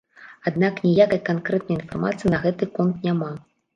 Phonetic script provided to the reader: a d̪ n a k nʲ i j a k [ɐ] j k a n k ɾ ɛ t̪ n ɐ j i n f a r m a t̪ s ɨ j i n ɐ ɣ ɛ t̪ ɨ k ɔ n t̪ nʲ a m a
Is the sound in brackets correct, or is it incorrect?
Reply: correct